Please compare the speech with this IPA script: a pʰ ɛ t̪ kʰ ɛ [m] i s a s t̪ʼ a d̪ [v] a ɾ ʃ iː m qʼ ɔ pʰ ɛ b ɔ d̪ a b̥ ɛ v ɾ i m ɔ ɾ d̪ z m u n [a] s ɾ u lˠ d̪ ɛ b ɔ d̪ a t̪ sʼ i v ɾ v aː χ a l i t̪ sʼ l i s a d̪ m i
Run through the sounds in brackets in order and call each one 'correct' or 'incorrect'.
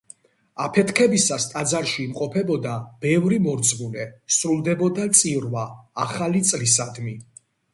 incorrect: b, incorrect: z, incorrect: ɛ

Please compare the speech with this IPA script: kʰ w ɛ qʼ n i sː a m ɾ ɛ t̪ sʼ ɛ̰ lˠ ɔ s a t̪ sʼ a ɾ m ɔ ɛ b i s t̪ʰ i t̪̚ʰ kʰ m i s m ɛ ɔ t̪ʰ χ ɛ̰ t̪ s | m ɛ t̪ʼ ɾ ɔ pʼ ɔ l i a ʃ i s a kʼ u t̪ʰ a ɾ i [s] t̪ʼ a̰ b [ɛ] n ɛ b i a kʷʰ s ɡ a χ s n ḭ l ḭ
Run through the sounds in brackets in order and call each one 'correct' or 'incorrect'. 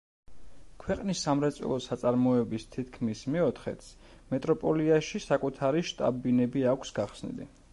incorrect: ʃ, incorrect: i

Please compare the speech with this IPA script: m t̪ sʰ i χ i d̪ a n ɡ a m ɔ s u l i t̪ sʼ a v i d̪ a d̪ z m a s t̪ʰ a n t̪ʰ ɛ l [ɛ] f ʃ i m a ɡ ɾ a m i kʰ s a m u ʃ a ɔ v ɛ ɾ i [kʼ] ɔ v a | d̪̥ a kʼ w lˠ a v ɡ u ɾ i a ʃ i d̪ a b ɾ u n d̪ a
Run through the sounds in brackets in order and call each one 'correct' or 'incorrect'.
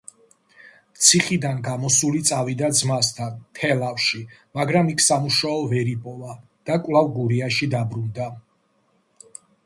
incorrect: a, incorrect: pʼ

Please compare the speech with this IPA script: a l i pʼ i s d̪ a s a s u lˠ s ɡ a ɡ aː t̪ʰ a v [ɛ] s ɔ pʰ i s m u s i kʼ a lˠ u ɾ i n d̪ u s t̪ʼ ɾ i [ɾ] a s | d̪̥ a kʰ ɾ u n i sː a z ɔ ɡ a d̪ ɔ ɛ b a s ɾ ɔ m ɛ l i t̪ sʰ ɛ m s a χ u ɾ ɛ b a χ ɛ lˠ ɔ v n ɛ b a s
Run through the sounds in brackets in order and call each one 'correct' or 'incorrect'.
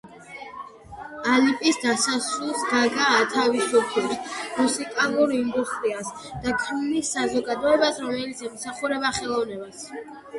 incorrect: i, incorrect: none

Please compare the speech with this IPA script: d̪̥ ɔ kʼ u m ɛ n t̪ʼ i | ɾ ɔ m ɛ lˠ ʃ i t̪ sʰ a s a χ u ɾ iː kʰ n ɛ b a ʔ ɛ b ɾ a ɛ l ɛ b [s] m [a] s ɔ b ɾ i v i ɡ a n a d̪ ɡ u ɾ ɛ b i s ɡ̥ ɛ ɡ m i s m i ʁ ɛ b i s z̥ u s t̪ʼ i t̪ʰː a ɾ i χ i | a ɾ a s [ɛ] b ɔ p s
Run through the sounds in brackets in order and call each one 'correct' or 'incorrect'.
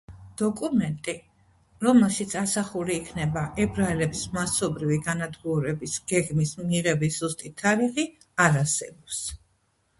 correct, correct, correct

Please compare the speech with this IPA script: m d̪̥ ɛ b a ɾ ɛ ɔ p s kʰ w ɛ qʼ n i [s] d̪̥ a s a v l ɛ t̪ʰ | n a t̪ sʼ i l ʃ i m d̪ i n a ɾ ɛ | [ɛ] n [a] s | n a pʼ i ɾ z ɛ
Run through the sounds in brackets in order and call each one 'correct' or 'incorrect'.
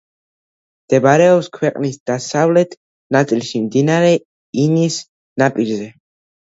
correct, incorrect: i, incorrect: i

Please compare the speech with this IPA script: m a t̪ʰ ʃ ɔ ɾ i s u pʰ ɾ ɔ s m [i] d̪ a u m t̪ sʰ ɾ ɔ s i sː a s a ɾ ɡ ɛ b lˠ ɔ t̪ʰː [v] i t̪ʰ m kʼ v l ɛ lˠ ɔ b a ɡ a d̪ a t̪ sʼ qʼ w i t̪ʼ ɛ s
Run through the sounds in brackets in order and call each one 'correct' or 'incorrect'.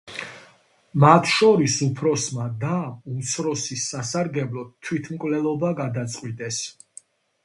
incorrect: a, incorrect: w

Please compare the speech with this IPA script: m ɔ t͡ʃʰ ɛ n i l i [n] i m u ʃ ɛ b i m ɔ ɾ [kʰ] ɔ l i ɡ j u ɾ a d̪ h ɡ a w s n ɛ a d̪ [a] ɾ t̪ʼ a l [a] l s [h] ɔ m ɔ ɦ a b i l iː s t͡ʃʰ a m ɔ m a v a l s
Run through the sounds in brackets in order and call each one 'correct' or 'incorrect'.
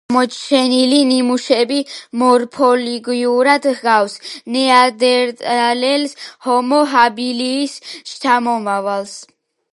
correct, incorrect: pʰ, incorrect: ɛ, incorrect: ɛ, correct

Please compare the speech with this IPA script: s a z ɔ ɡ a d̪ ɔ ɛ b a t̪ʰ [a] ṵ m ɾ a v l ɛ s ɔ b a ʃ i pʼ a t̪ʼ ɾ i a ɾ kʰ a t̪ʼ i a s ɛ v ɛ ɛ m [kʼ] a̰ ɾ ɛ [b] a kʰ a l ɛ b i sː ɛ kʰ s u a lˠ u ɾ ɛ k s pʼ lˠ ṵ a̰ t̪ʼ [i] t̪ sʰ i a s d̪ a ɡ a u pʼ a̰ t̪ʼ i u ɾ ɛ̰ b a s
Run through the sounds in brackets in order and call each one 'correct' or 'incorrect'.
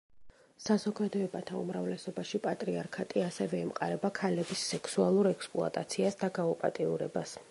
correct, incorrect: qʼ, correct, incorrect: a

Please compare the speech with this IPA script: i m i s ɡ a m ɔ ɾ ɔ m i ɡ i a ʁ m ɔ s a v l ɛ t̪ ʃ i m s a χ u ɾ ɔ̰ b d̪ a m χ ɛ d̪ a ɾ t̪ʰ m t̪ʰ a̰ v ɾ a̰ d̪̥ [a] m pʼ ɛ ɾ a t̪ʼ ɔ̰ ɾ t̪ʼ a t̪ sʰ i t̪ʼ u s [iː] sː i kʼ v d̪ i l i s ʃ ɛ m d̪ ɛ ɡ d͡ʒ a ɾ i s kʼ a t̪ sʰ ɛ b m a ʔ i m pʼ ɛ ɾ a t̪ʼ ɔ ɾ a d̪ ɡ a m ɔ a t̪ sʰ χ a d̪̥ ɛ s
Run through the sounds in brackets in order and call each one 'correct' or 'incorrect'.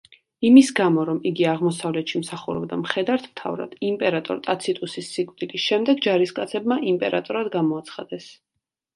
incorrect: i, incorrect: i

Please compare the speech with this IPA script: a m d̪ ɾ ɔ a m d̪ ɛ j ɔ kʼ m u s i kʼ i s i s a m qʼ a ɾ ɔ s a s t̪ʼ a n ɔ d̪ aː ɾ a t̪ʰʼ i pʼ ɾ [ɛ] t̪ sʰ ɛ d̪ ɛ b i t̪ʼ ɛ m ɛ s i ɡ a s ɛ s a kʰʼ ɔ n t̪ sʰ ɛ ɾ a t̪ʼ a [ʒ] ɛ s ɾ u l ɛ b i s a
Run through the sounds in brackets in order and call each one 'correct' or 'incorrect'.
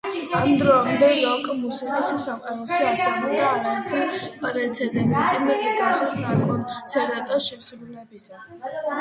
correct, incorrect: ʃ

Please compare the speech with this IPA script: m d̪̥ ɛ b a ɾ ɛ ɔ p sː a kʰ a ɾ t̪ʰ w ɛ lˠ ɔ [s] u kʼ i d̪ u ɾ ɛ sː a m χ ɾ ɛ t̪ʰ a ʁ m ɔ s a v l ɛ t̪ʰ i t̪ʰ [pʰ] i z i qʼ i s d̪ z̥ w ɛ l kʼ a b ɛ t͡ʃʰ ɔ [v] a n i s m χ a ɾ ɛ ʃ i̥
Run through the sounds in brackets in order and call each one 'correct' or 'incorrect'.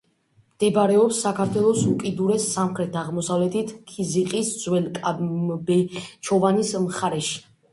correct, incorrect: kʰ, correct

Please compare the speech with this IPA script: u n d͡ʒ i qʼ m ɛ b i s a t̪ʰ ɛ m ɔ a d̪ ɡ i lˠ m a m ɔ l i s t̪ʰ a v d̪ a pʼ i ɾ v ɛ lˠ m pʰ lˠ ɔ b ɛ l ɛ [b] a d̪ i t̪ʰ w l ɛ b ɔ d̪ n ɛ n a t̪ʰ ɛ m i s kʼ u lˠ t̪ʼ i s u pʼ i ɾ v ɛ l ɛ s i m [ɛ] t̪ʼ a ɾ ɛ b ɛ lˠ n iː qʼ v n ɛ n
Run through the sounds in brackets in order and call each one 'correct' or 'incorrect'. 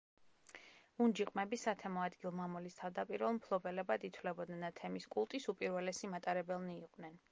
correct, incorrect: a

